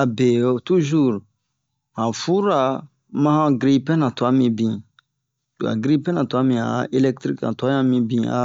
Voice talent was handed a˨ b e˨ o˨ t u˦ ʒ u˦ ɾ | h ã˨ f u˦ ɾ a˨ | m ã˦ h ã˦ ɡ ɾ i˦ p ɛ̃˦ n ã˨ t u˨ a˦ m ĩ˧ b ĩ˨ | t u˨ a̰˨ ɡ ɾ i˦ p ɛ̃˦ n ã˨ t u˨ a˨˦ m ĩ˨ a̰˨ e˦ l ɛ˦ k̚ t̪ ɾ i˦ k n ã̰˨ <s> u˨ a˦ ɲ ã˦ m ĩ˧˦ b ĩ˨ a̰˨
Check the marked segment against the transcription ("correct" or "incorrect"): incorrect